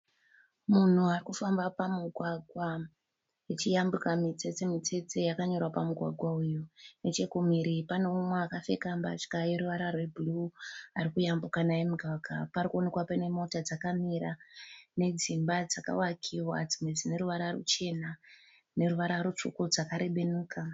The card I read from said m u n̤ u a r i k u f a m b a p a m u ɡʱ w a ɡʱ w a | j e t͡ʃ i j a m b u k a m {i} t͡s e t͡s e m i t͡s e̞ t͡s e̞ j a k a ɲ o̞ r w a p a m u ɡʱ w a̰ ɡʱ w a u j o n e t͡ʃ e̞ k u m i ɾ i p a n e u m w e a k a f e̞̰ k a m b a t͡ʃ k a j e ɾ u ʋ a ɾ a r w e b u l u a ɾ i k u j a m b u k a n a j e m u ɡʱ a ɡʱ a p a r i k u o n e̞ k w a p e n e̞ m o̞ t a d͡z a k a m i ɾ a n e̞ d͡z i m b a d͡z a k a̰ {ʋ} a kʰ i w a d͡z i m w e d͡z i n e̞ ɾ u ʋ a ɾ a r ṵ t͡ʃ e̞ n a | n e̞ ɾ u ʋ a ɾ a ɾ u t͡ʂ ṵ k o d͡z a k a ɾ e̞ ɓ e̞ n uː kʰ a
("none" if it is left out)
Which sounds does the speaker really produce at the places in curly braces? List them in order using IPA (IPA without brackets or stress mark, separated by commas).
i, w